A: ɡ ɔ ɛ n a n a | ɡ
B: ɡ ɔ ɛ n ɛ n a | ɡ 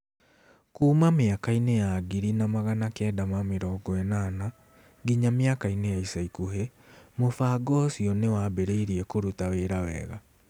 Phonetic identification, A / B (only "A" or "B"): A